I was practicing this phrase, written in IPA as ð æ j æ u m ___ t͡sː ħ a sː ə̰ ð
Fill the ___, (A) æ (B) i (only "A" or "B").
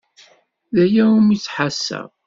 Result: B